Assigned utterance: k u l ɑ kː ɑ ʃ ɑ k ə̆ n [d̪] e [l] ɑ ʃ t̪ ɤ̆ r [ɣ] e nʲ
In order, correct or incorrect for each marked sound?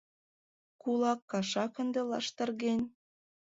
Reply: correct, correct, correct

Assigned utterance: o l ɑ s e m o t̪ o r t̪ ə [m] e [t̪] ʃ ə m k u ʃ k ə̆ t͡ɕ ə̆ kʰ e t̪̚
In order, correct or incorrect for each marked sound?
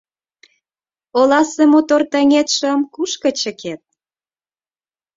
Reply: incorrect: ŋ, correct

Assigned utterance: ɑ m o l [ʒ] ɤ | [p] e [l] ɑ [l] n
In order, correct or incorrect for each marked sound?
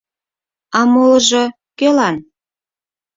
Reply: correct, incorrect: k, correct, incorrect: none

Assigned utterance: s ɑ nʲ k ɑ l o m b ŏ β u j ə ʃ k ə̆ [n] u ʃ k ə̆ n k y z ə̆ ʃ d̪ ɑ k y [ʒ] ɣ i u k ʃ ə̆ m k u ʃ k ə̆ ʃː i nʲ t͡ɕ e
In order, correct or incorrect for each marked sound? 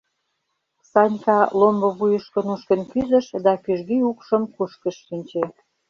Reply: correct, correct

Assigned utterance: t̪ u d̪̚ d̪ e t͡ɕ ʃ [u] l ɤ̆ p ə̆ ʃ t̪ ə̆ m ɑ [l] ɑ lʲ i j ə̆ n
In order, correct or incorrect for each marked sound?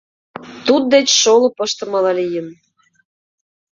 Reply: incorrect: o, correct

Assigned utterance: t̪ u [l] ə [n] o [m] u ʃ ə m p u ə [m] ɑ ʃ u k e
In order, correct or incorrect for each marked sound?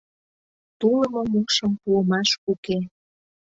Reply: correct, incorrect: m, correct, correct

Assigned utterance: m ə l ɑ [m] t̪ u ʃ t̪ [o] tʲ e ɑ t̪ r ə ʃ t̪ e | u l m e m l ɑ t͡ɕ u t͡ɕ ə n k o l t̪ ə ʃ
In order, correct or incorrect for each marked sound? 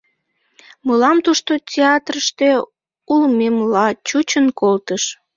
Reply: correct, correct

